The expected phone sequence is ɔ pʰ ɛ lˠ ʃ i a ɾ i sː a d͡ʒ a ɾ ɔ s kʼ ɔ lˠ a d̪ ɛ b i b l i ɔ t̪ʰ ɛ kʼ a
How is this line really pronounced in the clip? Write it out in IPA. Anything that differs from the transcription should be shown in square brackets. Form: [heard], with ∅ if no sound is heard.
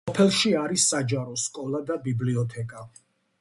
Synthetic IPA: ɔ pʰ ɛ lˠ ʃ i a ɾ i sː a d͡ʒ a ɾ ɔ s kʼ ɔ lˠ a d̪ [a] b i b l i ɔ t̪ʰ ɛ kʼ a